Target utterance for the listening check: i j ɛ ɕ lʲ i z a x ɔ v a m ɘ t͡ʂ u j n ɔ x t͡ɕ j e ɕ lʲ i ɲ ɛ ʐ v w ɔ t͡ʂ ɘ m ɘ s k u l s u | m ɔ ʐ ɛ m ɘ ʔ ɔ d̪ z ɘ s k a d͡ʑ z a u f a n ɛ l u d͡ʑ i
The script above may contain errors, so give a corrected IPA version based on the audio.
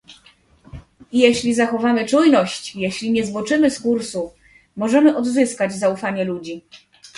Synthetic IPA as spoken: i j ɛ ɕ lʲ i z a x ɔ v a m ɘ t͡ʂ u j n ɔ ɕ t͡ɕ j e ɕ lʲ i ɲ ɛ z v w ɔ t͡ʂ ɘ m ɘ s k u ɾ s u | m ɔ ʐ ɛ m ɘ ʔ ɔ d̪ z ɘ s k a d͡ʑ z a u f a ɲ ɛ l u d͡ʑ i